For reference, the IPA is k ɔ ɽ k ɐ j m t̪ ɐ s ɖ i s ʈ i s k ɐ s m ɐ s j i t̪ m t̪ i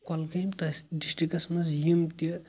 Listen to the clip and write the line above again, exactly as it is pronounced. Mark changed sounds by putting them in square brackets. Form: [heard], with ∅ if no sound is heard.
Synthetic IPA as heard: k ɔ [l] k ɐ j m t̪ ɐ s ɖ i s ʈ i [∅] k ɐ s m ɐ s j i [∅] m t̪ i